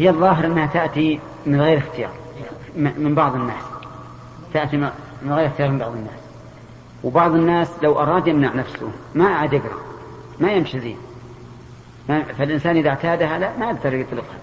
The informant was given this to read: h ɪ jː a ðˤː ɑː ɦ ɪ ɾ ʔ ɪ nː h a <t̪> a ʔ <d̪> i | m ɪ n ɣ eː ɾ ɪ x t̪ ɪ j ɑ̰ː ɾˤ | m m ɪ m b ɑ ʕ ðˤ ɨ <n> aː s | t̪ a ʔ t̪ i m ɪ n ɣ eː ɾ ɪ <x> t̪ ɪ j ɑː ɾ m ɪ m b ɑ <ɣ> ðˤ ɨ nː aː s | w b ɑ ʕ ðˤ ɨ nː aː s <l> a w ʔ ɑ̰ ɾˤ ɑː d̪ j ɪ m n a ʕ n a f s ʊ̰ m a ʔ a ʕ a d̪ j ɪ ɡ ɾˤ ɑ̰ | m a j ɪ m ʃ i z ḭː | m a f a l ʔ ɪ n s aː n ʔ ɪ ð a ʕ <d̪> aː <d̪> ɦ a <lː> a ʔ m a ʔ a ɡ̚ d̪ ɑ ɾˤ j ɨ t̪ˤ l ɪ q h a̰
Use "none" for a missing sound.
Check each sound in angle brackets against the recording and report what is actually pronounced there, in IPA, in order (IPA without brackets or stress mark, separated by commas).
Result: t̪, t̪, nː, x, ʕ, l, t̪, d̪, l